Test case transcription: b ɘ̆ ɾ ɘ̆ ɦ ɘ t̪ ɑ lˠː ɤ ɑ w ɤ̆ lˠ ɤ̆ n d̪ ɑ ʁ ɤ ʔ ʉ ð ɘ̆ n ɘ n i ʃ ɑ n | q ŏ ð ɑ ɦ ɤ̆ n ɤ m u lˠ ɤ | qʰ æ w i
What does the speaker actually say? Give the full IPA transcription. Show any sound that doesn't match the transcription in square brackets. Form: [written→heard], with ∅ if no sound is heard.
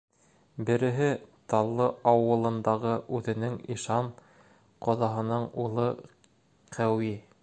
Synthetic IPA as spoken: b ɘ̆ ɾ ɘ̆ ɦ ɘ t̪ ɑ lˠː ɤ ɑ w ɤ̆ lˠ ɤ̆ n d̪ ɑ ʁ ɤ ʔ ʉ ð ɘ̆ n ɘ [n→ŋ] i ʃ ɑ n | q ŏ ð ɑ ɦ ɤ̆ n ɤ [m→ɴ] u lˠ ɤ | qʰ æ w i

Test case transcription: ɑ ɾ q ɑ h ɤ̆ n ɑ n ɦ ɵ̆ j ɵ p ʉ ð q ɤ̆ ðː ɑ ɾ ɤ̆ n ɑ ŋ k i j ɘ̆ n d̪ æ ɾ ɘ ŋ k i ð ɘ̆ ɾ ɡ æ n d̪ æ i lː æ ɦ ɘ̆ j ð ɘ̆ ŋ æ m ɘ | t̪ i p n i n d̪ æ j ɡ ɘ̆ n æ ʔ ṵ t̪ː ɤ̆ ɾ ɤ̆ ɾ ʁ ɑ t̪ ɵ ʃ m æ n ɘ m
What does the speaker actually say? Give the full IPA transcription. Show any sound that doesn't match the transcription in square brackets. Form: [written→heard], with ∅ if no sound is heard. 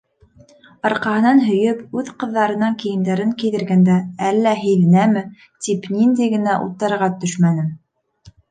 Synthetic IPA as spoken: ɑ ɾ q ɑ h ɤ̆ n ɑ n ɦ ɵ̆ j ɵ p ʉ ð q ɤ̆ ðː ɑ ɾ ɤ̆ n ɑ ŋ k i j ɘ̆ n d̪ æ ɾ ɘ ŋ k i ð ɘ̆ ɾ ɡ æ n d̪ æ [i→æ] lː æ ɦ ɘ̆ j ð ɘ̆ [ŋ→n] æ m ɘ | t̪ i p n i n d̪ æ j ɡ ɘ̆ n æ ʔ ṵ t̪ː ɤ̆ ɾ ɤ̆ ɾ ʁ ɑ t̪ ɵ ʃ m æ n ɘ m

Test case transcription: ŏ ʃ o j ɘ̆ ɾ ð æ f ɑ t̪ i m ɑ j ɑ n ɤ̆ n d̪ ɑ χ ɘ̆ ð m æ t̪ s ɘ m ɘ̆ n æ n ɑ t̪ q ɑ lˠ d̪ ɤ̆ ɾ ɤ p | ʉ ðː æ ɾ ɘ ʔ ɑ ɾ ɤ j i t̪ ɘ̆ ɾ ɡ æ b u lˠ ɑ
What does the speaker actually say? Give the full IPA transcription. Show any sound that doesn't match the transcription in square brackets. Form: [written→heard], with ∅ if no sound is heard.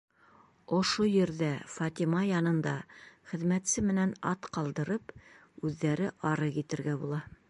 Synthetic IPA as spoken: ŏ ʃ o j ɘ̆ ɾ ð æ f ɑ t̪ i m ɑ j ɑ n ɤ̆ n d̪ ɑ χ ɘ̆ ð m æ t̪ s ɘ m ɘ̆ n æ n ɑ t̪ q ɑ lˠ d̪ ɤ̆ ɾ ɤ p | ʉ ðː æ ɾ ɘ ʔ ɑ ɾ ɤ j i t̪ ɘ̆ ɾ ɡ æ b u lˠ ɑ

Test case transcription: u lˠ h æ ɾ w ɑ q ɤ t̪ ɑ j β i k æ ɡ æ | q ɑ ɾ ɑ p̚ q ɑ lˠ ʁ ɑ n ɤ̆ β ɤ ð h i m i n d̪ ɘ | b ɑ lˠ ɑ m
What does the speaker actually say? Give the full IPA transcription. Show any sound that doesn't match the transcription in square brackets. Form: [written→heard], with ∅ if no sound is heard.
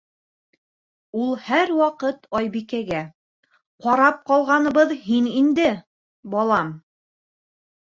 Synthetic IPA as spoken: u lˠ h æ ɾ w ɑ q ɤ t̪ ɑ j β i k æ ɡ æ | q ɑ ɾ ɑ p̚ q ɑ lˠ ʁ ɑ n ɤ̆ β ɤ ð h i [m→n] i n d̪ ɘ | b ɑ lˠ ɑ m

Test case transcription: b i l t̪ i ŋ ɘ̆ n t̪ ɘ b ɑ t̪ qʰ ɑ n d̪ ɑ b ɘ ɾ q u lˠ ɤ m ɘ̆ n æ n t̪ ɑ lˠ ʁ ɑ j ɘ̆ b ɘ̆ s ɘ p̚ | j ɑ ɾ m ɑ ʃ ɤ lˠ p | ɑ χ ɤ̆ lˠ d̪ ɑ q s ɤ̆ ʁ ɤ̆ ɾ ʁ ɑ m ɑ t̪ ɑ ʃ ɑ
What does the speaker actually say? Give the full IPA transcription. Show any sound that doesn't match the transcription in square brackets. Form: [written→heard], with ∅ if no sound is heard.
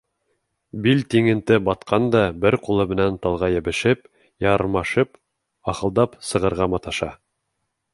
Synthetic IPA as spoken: b i l t̪ i ŋ ɘ̆ n t̪ ɘ b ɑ t̪ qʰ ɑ n d̪ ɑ b ɘ ɾ q u lˠ ɤ m ɘ̆ n æ n t̪ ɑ lˠ ʁ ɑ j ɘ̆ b ɘ̆ [s→ʃ] ɘ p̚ | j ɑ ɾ m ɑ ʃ ɤ [lˠ→∅] p | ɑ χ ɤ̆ lˠ d̪ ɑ [q→p] s ɤ̆ ʁ ɤ̆ ɾ ʁ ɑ m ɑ t̪ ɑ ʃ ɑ

